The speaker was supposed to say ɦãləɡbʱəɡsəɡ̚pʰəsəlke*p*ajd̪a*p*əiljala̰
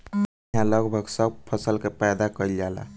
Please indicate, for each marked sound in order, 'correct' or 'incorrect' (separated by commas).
correct, incorrect